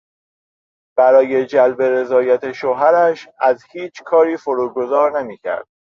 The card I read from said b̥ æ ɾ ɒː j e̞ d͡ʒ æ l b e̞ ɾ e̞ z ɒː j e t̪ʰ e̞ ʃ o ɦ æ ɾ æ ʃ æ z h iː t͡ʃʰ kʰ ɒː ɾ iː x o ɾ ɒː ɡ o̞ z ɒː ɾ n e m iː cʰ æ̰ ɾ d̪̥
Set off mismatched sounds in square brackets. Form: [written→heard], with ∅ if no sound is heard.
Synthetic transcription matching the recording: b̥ æ ɾ ɒː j e̞ d͡ʒ æ l b e̞ ɾ e̞ z ɒː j [e→æ] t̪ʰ e̞ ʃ o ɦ æ ɾ æ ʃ æ z h iː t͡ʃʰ kʰ ɒː ɾ iː [x→f] o ɾ [ɒː→uː] ɡ o̞ z ɒː ɾ n e m iː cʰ æ̰ ɾ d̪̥